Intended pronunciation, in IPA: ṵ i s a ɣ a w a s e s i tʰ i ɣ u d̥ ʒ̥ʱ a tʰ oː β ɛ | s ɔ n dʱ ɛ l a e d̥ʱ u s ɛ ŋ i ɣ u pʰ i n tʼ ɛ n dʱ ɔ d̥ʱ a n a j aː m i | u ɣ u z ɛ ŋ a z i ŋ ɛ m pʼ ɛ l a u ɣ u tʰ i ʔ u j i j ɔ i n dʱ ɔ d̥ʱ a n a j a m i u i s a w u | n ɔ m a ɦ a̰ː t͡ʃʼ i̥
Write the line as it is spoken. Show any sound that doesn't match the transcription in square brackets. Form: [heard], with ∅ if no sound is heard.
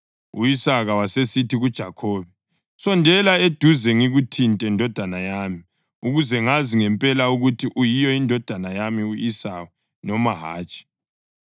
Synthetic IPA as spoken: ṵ i s a ɣ a w a s e s i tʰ i ɣ u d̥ ʒ̥ʱ a [kʰ] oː β ɛ | s ɔ n dʱ ɛ l a e d̥ʱ u [z] ɛ ŋ i ɣ u [tʰ] i n tʼ ɛ n dʱ ɔ d̥ʱ a n a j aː m i | u ɣ u z ɛ ŋ a z i ŋ ɛ m pʼ ɛ l a u ɣ u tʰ i ʔ u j i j ɔ i n dʱ ɔ d̥ʱ a n a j a m i u i s a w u | n ɔ m a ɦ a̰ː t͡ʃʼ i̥